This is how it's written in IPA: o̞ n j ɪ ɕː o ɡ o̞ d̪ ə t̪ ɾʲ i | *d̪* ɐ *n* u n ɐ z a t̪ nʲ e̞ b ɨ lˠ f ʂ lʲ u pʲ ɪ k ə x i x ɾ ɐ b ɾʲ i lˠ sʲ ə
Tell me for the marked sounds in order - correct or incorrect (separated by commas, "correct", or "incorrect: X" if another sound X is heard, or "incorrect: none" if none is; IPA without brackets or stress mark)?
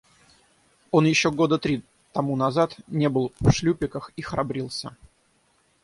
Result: incorrect: t̪, incorrect: m